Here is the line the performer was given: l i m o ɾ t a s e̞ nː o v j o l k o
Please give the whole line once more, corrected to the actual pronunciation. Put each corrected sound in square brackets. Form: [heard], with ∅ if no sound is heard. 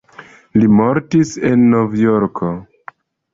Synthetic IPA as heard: l i m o ɾ t [i] s e̞ nː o v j o [ɾ] k o